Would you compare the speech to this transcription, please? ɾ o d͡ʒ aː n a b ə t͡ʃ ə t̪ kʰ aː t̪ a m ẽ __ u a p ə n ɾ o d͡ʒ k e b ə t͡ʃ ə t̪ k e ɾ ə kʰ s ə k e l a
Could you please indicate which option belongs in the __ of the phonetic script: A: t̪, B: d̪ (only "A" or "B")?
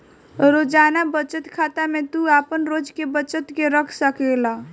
A